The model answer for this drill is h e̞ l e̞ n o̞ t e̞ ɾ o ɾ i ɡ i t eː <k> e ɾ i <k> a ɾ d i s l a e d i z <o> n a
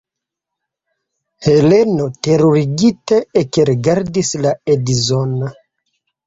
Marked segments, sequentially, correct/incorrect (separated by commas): correct, incorrect, correct